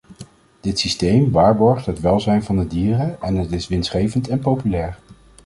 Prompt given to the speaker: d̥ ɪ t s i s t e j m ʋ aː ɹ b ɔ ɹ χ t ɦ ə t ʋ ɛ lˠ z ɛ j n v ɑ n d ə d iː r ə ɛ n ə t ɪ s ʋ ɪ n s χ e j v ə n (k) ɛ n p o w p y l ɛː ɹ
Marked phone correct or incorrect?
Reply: incorrect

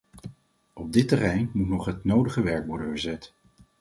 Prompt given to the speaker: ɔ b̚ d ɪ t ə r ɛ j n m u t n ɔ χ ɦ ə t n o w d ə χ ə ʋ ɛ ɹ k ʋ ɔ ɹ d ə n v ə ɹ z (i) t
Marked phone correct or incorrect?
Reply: incorrect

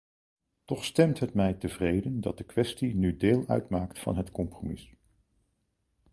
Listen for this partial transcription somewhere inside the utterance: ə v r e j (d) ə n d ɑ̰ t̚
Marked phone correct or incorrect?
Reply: correct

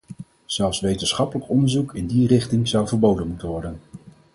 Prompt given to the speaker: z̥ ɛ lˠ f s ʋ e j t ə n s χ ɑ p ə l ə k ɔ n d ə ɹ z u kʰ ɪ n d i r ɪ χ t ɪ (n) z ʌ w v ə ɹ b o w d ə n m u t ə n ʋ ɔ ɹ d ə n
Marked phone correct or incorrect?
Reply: incorrect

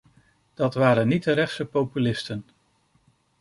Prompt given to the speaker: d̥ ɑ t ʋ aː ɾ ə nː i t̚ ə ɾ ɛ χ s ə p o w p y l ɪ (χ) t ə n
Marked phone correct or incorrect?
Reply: incorrect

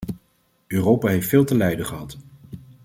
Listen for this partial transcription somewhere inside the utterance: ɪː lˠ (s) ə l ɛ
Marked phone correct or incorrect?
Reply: incorrect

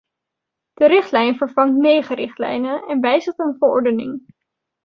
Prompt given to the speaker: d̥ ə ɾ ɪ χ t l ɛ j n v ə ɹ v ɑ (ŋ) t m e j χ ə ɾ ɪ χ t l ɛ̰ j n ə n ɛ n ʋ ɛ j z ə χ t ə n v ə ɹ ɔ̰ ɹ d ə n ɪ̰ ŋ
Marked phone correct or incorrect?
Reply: correct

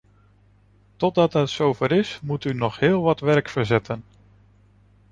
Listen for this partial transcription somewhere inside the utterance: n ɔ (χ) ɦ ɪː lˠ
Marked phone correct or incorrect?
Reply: correct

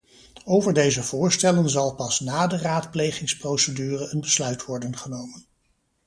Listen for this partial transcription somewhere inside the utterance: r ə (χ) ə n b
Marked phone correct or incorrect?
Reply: incorrect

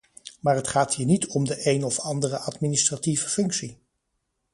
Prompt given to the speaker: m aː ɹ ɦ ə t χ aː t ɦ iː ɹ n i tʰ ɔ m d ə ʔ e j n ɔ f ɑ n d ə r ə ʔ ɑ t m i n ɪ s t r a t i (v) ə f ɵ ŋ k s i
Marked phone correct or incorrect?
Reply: correct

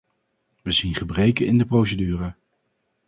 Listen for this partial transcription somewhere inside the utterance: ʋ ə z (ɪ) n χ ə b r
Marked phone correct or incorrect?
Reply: incorrect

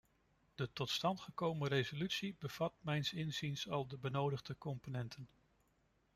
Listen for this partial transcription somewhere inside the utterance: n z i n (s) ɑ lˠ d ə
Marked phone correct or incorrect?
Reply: correct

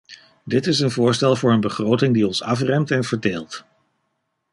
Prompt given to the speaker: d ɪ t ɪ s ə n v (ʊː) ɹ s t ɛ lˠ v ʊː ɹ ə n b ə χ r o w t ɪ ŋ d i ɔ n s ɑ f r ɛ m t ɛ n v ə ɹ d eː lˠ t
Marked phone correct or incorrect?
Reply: correct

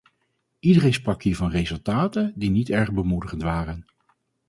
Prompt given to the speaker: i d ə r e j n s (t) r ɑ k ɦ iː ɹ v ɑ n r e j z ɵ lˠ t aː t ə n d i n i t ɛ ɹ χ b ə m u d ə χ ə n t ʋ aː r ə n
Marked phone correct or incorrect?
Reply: incorrect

